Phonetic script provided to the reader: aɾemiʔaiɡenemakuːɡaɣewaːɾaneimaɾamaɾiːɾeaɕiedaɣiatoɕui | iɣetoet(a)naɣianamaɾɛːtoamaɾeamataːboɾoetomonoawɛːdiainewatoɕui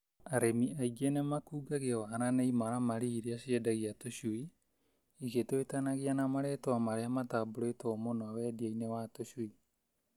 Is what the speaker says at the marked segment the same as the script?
yes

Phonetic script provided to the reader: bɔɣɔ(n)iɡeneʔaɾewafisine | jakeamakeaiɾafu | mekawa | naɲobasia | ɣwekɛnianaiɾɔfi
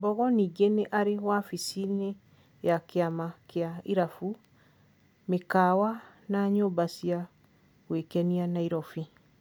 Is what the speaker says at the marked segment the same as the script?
yes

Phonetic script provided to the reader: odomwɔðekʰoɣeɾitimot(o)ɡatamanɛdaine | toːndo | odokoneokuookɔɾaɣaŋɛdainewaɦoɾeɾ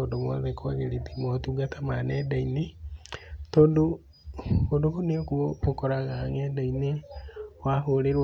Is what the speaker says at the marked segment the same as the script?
no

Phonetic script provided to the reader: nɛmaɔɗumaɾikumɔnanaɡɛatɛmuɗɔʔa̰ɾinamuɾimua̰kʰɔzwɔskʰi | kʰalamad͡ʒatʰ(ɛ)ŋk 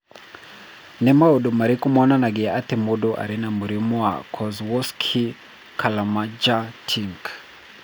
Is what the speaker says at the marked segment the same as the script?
no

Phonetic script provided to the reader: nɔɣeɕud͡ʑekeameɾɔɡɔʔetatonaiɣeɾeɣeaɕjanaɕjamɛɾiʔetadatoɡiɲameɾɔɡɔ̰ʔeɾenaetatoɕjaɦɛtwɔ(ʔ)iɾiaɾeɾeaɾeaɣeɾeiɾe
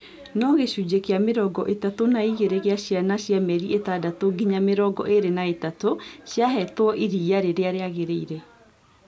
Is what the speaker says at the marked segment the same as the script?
yes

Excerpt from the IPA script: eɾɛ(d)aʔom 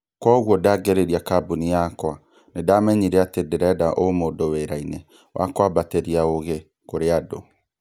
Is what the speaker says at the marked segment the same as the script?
yes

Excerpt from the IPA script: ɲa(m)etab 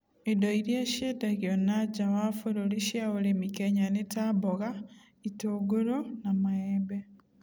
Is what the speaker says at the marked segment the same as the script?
no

